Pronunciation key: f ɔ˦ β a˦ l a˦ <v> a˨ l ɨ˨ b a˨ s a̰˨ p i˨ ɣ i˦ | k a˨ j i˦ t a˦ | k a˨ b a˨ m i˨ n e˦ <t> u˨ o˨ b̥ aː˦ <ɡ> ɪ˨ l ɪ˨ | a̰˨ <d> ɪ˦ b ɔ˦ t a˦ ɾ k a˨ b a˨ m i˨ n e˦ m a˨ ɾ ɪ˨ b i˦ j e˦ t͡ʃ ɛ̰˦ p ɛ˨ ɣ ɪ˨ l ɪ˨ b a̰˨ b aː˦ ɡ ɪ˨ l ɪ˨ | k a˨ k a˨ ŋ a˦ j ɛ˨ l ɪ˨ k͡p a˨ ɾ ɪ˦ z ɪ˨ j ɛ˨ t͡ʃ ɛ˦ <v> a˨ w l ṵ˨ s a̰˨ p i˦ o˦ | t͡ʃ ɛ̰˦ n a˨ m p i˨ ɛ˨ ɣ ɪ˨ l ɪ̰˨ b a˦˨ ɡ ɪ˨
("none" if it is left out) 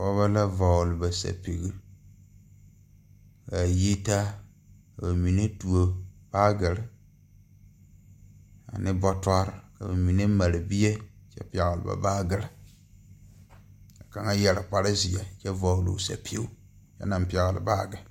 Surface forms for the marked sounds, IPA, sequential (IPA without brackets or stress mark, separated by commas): v, t, ɡ, n, v